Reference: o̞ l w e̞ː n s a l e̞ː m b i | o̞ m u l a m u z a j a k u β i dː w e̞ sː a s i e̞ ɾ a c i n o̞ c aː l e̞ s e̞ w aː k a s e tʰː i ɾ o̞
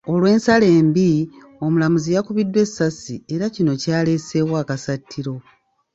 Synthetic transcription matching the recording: o̞ l w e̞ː n s a l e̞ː m b i | o̞ m u l a m u z i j a k u β i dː w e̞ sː a s i e̞ ɾ a c i n o̞ c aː l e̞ s e̞ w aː k a s a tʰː i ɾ o̞

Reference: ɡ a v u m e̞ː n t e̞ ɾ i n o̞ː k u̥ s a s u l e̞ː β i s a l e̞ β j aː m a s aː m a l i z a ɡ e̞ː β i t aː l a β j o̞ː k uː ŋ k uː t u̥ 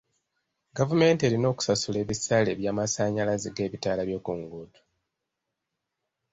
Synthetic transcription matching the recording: ɡ a v u m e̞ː n t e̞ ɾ i n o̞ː k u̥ s a s u l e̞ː β i s a l e̞ β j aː m a s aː ɲ a l a z i ɡ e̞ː β i t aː l a β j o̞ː k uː ŋ ɡ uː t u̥

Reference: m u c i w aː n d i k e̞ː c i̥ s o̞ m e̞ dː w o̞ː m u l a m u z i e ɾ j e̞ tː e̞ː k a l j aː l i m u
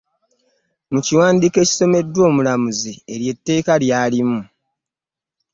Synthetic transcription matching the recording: m u c i w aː n d i k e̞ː c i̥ s o̞ m e̞ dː w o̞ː m u l a m u z i e ɾ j e̞ tː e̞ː k a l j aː l i m u

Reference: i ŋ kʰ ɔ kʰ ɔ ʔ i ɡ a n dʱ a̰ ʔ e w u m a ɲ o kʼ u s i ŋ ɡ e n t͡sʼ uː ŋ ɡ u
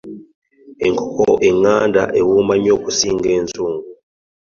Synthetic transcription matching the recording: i ŋ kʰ ɔ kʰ ɔ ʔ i ŋ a n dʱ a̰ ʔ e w u m a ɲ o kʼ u s i ŋ ɡ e n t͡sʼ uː ŋ ɡ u

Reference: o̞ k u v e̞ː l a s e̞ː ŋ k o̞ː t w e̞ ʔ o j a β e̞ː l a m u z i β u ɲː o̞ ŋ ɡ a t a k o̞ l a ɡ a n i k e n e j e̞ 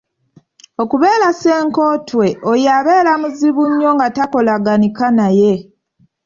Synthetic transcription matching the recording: o̞ k u β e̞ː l a s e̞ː ŋ k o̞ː t w e̞ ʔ o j a β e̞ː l a m u z i β u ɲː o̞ ŋ ɡ a t a k o̞ l a ɡ a n i k a n a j e̞

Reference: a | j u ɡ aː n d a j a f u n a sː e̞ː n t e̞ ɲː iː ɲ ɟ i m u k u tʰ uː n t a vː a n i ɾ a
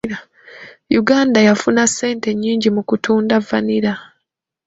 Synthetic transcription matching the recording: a | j u ɡ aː n d a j a f u n a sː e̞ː n t e̞ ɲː iː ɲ ɟ i m u k u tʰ uː n d a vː a n i ɾ a

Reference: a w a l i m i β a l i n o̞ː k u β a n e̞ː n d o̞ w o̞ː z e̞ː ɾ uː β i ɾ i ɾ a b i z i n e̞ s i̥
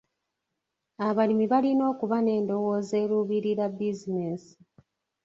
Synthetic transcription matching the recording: a β a l i m i β a l i n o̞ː k u β a n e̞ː n d o̞ w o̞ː z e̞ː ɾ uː β i ɾ i ɾ a b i z i n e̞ s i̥

